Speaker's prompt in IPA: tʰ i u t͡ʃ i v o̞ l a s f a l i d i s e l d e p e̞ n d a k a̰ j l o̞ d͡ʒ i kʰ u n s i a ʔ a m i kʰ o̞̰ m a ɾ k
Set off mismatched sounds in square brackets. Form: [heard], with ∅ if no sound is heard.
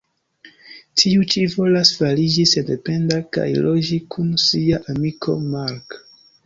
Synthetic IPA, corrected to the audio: tʰ i u t͡ʃ i v o̞ l a s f a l i [d͡ʒ] i s e [∅] d e p e̞ n d a k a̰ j l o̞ d͡ʒ i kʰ u n s i a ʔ a m i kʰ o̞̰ m a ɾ k